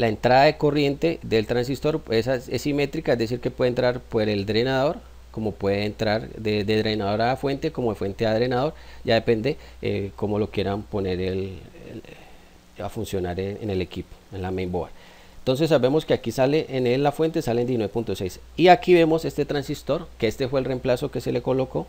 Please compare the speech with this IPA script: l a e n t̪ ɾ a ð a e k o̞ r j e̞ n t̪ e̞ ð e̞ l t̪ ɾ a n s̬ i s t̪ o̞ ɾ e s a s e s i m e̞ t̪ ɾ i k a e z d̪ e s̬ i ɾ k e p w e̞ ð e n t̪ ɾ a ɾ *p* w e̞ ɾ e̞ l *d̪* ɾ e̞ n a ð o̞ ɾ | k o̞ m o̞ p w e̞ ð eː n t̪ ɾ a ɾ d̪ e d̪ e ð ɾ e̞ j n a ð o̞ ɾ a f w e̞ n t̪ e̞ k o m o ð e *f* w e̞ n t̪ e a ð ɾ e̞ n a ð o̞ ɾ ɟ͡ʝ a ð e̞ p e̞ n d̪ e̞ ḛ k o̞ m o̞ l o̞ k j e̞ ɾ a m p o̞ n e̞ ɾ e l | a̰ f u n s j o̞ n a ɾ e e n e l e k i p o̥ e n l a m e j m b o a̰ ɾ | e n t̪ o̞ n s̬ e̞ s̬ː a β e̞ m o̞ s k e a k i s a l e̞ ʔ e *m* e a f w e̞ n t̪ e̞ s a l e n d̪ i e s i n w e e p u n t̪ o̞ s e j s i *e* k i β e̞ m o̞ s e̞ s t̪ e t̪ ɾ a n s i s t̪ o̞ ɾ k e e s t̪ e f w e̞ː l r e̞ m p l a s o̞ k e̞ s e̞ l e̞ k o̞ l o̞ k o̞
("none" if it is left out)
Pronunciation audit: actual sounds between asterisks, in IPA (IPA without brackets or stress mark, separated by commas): p, d̪, f, n, a